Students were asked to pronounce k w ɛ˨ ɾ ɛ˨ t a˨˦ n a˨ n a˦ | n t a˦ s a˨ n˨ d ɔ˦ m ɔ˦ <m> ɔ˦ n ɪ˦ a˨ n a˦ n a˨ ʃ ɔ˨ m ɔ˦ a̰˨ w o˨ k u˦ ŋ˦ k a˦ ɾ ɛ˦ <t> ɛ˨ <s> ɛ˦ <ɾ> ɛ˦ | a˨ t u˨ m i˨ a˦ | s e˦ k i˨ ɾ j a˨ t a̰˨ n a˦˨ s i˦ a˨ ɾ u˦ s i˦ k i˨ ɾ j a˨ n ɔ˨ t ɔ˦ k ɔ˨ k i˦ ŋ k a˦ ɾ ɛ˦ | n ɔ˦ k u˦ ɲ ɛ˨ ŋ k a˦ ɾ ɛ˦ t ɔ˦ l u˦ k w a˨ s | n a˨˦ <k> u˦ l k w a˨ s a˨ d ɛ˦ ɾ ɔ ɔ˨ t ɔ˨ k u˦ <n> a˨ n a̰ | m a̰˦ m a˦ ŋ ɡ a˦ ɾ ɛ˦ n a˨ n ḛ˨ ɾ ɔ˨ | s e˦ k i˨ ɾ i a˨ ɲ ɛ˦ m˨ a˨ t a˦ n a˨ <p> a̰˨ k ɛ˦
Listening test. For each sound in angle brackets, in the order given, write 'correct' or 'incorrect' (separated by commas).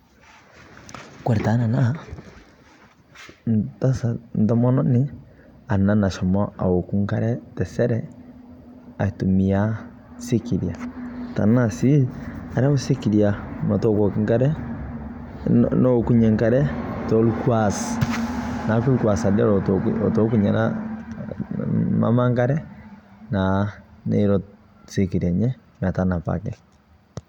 incorrect, correct, correct, correct, correct, incorrect, correct